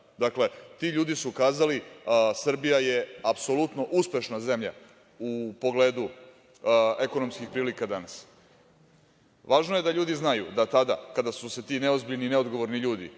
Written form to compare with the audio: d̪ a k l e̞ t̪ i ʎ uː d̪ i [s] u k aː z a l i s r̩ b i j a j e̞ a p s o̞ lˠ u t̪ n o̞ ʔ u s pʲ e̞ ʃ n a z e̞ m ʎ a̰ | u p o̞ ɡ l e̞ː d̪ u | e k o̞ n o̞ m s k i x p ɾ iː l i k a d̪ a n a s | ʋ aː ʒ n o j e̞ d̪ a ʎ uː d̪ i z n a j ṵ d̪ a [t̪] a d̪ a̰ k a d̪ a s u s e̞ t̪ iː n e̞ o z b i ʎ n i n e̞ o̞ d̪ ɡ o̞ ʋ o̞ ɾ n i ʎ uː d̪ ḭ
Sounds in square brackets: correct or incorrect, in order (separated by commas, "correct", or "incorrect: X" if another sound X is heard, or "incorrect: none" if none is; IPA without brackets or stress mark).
correct, correct